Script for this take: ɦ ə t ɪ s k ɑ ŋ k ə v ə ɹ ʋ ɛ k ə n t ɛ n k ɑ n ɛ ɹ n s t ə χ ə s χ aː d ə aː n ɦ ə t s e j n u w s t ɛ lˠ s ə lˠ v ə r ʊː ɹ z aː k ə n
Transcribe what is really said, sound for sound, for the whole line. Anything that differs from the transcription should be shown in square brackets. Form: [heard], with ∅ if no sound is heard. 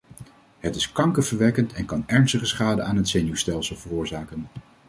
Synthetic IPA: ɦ ə t ɪ s k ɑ ŋ k ə v ə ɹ ʋ ɛ k ə n t ɛ n k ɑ n ɛ ɹ n s t ə χ ə s χ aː d ə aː n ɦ ə t s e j n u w s t ɛ lˠ s ə lˠ v ə r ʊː ɹ z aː k ə n